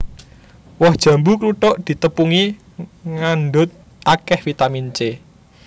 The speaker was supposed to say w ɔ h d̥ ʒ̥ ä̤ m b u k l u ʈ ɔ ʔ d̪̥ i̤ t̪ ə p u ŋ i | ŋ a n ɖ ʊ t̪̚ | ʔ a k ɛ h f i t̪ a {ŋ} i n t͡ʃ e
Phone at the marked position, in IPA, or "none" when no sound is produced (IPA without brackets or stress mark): m